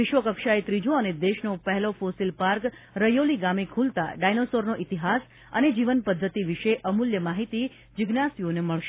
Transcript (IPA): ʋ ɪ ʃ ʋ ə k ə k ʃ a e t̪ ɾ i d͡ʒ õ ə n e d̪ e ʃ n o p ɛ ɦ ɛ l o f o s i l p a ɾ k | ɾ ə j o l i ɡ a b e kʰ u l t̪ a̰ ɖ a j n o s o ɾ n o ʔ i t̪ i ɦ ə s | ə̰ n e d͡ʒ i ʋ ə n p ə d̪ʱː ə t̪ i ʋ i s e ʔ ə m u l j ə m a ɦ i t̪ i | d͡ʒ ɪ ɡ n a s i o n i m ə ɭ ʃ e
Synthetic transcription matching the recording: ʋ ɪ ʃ ʋ ə k ə k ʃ a e t̪ ɾ i d͡ʒ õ ə n e d̪ e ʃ n o p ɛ ɦ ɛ l o f o s i l p a ɾ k | ɾ ə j o l i ɡ a m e kʰ u l t̪ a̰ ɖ a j n o s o ɾ n o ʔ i t̪ i ɦ a s | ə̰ n e d͡ʒ i ʋ ə n p ə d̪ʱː ə t̪ i ʋ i ʃ e ʔ ə m u l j ə m a ɦ i t̪ i | d͡ʒ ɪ ɡ n a s i o n e m ə ɭ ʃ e